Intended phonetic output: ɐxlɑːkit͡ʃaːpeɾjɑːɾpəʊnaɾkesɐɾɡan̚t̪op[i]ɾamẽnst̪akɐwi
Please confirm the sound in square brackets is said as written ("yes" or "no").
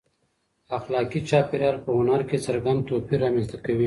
yes